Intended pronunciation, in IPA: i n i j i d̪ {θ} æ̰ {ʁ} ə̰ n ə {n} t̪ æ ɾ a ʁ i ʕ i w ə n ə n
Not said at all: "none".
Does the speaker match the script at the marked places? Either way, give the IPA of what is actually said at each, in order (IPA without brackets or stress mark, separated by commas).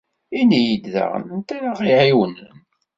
ð, ʁ, n